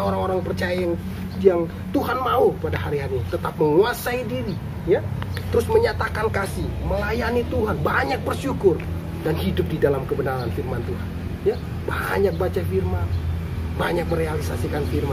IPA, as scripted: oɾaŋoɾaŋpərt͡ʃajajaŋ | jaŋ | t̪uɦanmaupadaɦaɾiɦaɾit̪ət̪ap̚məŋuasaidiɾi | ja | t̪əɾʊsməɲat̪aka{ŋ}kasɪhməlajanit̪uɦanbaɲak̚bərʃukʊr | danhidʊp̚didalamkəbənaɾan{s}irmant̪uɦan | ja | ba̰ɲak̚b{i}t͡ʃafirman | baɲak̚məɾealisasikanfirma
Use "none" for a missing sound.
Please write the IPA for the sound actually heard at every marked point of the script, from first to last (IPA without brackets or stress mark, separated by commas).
n, f, a